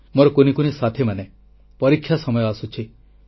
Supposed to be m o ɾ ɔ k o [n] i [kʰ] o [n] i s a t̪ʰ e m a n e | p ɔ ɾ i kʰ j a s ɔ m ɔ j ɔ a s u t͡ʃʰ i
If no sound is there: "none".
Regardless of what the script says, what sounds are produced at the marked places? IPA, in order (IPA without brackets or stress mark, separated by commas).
n, k, n